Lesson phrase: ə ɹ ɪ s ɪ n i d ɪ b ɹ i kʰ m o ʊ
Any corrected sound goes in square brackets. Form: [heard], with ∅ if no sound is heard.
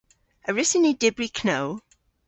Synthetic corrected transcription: ə ɹ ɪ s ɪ n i d ɪ b ɹ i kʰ [n] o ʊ